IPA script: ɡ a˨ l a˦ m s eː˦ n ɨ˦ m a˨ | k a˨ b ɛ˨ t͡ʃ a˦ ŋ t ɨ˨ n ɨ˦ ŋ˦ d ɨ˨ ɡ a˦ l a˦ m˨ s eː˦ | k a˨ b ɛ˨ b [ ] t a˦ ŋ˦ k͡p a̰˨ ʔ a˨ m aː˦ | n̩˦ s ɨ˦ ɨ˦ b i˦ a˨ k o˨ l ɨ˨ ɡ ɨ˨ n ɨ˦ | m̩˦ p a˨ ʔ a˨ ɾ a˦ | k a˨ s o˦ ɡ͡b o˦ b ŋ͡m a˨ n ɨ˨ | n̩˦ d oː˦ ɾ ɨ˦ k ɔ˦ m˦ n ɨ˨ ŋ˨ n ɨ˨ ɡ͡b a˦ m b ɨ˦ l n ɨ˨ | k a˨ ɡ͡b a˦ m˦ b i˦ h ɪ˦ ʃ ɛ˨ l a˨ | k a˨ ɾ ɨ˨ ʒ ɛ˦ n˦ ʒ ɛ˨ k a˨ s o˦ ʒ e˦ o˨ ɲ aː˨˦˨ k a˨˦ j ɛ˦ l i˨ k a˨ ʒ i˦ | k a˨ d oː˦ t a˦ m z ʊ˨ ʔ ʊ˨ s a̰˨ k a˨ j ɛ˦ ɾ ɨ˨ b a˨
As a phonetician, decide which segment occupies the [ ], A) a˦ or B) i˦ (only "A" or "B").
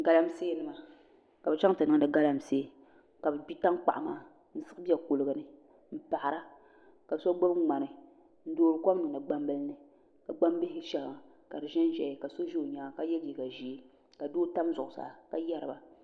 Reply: B